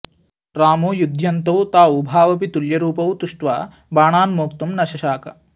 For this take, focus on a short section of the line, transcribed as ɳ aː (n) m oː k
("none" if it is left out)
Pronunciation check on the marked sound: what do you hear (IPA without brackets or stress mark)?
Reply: n